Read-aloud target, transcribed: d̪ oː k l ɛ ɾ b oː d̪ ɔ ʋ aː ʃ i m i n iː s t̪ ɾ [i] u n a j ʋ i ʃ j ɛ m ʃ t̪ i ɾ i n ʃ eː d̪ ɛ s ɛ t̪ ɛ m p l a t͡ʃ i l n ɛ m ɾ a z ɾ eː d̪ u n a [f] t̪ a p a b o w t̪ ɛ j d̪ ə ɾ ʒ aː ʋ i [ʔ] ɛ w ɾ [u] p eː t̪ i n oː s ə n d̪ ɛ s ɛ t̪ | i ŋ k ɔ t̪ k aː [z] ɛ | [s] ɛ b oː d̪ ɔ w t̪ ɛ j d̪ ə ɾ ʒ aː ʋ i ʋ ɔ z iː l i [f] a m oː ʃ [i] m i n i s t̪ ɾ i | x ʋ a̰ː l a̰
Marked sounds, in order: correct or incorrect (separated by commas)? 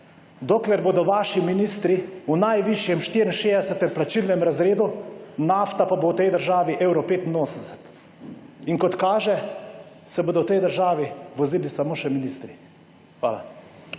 correct, correct, correct, incorrect, incorrect, correct, incorrect, incorrect